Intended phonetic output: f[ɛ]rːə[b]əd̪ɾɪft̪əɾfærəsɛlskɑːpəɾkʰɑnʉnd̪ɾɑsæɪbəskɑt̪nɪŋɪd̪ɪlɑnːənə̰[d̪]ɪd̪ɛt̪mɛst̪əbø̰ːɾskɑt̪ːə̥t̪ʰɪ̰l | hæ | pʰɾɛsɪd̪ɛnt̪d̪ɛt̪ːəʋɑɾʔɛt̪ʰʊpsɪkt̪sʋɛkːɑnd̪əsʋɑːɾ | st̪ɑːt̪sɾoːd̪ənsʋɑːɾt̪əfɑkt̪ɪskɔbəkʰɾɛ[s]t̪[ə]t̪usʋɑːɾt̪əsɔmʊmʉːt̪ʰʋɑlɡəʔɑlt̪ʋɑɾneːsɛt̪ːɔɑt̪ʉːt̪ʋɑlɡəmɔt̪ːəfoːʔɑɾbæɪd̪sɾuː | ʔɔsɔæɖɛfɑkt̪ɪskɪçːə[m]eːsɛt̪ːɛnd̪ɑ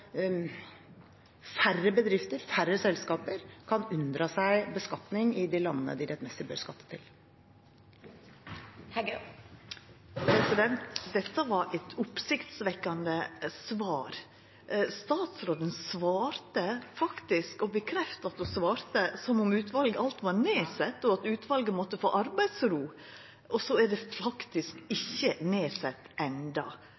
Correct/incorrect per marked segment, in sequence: incorrect, correct, correct, incorrect, incorrect, incorrect

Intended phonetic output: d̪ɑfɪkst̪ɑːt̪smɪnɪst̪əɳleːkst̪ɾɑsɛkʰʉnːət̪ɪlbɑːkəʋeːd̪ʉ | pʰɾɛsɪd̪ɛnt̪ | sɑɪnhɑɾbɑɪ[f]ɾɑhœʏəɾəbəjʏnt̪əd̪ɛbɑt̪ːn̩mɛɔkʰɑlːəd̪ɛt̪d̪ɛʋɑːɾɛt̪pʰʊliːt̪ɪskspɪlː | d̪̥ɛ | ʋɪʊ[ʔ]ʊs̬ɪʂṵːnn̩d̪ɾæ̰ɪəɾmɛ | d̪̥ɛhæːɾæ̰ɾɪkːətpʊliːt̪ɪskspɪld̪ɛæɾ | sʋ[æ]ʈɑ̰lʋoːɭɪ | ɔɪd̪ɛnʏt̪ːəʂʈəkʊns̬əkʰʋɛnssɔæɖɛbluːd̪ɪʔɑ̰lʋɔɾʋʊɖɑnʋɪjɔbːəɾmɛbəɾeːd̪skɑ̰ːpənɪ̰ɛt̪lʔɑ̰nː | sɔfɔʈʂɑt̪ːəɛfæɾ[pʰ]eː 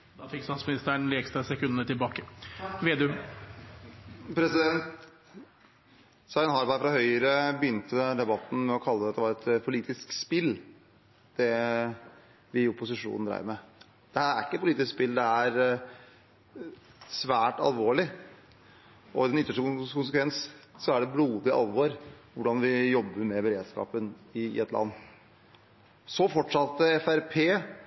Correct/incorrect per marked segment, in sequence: correct, incorrect, incorrect, correct

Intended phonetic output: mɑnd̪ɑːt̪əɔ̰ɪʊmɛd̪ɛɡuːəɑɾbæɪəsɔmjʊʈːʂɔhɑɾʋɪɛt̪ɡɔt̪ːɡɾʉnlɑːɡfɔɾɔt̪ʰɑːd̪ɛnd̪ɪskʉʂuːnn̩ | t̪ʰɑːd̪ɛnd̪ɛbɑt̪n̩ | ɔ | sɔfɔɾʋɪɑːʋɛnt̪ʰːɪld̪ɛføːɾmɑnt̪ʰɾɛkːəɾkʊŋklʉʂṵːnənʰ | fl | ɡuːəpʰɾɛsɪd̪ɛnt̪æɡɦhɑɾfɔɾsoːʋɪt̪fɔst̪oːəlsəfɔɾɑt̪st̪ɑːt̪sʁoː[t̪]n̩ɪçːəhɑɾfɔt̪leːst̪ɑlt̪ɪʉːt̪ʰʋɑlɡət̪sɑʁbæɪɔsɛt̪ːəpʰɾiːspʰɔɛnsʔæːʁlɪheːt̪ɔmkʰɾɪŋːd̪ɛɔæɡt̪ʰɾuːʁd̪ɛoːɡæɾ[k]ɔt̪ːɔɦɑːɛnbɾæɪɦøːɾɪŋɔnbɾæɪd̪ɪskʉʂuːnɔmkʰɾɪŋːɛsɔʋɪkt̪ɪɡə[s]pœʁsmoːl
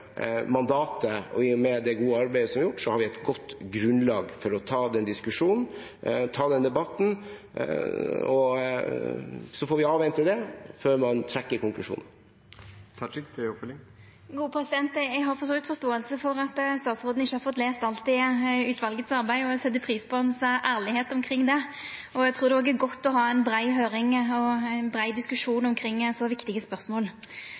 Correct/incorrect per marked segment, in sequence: incorrect, incorrect, correct

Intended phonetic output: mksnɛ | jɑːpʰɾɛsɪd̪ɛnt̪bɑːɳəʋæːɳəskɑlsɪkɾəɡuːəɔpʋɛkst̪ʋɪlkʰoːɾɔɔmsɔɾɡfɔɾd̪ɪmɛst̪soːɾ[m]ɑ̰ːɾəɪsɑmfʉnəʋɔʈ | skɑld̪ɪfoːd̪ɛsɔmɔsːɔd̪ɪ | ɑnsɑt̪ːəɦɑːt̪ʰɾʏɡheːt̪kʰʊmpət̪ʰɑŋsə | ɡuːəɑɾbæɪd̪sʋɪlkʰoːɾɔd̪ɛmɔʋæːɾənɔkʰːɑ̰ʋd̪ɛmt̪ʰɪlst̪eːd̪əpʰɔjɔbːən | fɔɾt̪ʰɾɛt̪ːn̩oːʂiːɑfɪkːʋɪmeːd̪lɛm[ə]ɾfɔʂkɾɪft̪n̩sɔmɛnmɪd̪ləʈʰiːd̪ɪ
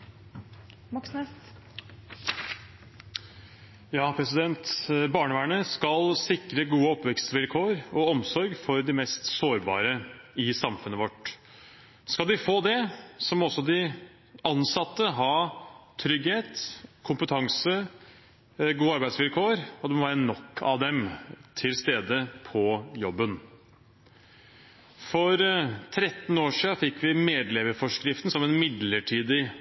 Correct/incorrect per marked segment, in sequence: incorrect, correct

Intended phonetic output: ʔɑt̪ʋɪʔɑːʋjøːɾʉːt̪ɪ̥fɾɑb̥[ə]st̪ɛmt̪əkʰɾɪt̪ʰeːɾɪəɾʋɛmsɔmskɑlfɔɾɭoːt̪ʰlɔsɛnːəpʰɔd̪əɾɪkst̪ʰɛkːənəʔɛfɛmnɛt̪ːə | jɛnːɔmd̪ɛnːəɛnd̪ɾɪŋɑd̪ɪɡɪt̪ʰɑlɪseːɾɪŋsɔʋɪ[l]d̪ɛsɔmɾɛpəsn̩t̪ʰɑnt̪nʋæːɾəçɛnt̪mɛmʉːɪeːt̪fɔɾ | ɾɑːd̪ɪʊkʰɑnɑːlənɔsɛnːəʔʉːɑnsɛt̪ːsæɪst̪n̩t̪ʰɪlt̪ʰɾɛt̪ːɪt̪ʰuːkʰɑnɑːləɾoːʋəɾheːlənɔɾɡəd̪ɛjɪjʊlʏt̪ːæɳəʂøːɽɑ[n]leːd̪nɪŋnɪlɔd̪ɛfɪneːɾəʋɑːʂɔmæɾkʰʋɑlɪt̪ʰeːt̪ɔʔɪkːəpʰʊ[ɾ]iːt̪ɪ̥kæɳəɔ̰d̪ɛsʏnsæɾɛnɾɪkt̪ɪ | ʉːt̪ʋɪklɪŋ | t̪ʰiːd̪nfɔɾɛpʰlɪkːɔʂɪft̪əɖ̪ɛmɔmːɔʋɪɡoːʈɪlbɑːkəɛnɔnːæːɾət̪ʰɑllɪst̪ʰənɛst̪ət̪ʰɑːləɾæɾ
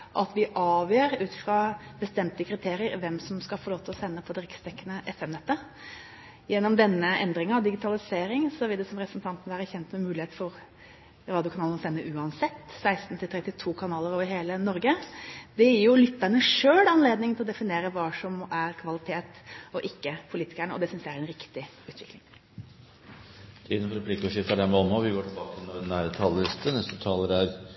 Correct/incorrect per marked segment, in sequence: correct, correct, correct, incorrect

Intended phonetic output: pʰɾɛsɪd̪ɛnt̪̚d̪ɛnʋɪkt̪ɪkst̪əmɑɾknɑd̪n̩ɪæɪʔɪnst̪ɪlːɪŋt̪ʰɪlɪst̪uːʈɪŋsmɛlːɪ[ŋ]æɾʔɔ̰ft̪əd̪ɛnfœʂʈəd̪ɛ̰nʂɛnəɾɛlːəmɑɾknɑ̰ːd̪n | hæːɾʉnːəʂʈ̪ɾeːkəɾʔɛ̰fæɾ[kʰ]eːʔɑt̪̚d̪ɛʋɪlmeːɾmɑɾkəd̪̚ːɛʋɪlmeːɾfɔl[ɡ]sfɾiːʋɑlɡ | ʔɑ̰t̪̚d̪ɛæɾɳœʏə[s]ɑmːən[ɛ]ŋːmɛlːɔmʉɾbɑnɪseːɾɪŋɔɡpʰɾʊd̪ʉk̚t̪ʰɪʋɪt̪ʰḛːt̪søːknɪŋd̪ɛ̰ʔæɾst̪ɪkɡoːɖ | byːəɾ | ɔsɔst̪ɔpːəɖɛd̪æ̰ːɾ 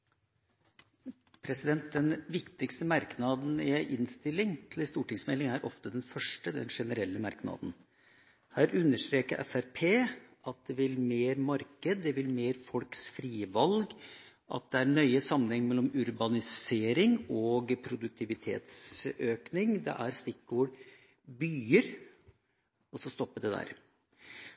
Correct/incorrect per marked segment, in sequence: correct, incorrect, incorrect, correct, correct

